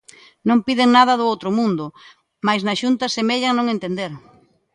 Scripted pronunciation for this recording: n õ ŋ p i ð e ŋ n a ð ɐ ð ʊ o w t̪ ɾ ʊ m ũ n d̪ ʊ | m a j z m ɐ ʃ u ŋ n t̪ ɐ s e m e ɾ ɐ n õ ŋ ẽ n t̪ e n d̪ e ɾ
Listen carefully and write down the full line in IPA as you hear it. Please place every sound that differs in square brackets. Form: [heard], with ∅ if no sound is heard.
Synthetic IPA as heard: n õ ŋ p i ð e ŋ n a ð ɐ ð ʊ o w t̪ ɾ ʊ m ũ n d̪ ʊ | m a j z [n] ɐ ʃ u [∅] n t̪ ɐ s e m e [ʎ] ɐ n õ ŋ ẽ n t̪ e n d̪ e ɾ